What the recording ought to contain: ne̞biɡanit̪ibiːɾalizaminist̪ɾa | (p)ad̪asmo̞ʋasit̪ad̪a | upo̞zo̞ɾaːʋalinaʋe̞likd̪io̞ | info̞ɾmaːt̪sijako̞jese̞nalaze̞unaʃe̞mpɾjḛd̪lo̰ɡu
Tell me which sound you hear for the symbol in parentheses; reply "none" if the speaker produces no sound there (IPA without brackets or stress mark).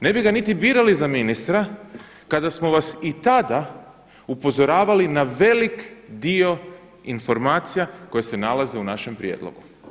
k